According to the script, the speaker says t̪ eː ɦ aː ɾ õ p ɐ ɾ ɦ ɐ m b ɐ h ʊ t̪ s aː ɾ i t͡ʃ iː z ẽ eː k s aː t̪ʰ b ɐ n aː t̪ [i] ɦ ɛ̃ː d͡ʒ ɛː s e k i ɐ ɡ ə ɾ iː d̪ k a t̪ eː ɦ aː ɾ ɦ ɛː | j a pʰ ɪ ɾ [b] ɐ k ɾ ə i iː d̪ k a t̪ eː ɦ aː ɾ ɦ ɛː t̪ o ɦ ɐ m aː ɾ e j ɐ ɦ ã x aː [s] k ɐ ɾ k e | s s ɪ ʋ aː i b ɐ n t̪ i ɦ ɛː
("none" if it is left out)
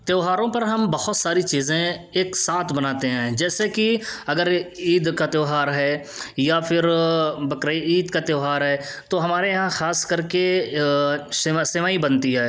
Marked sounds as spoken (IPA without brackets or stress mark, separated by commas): e, b, s